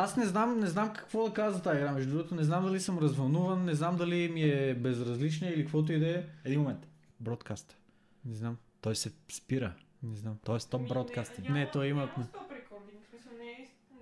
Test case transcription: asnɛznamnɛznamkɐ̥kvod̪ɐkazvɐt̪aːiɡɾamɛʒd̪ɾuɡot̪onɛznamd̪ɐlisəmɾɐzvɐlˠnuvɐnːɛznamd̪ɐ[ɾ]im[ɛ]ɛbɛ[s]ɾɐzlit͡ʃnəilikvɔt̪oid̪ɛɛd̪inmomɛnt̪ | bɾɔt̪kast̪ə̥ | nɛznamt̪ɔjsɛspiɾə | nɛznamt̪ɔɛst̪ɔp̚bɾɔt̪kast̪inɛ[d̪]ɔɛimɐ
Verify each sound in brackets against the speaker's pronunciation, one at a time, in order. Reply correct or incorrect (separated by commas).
incorrect, incorrect, incorrect, incorrect